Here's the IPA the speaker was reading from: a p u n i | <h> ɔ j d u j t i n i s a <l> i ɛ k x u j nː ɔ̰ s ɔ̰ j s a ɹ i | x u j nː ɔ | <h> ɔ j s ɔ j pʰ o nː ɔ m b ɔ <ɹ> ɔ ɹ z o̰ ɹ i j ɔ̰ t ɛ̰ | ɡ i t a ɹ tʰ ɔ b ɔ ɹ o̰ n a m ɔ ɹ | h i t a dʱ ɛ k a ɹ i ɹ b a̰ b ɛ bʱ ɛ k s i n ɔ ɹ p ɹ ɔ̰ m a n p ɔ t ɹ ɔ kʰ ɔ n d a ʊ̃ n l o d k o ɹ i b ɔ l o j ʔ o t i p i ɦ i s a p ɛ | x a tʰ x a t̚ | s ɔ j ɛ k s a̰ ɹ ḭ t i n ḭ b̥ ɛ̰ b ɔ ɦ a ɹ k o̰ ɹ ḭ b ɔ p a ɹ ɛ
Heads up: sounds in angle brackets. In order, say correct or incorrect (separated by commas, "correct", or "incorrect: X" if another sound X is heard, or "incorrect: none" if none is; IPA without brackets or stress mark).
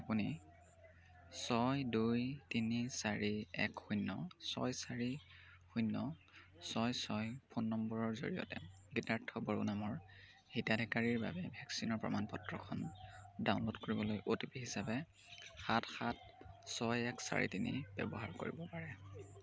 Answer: incorrect: s, incorrect: ɹ, incorrect: s, correct